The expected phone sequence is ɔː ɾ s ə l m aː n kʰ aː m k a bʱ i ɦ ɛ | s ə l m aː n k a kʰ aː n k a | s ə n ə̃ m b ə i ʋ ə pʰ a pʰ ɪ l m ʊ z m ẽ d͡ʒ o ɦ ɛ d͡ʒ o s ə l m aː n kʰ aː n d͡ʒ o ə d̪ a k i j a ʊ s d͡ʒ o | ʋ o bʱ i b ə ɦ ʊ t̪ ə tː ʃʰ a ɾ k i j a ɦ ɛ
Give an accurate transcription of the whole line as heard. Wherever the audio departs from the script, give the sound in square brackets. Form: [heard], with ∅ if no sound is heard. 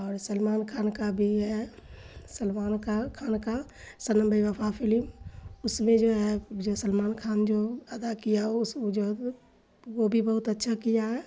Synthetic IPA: ɔː ɾ s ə l m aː n kʰ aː [n] k a bʱ i ɦ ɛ | s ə l m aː n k a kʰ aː n k a | s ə n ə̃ m b ə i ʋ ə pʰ a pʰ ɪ l m ʊ [s] m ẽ d͡ʒ o ɦ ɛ d͡ʒ o s ə l m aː n kʰ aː n d͡ʒ o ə d̪ a k i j a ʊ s d͡ʒ o | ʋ o bʱ i b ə ɦ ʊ t̪ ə tː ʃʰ a [∅] k i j a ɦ ɛ